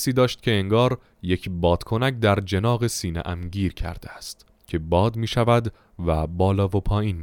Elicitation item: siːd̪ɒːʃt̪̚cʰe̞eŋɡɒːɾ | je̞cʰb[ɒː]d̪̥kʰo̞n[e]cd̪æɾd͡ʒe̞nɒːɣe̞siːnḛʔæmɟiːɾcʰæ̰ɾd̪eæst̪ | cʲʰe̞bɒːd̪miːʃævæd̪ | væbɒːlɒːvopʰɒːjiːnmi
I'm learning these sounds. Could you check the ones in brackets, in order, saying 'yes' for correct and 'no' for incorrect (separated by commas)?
yes, no